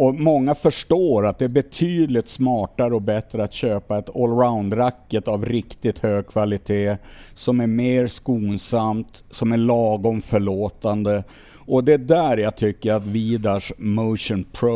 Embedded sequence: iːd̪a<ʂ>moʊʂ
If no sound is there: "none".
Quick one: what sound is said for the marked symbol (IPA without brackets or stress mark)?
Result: ʂ